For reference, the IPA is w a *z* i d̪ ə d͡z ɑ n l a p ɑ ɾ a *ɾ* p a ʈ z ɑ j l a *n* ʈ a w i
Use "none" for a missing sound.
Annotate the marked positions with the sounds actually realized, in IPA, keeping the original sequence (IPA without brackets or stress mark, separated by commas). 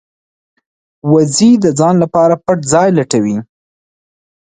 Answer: z, none, none